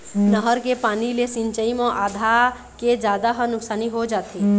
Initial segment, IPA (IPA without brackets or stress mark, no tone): n